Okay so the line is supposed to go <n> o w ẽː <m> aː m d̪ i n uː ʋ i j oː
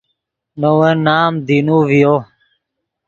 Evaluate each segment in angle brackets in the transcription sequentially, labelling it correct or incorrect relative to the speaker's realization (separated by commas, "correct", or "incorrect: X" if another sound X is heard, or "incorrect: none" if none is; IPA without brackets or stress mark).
correct, incorrect: n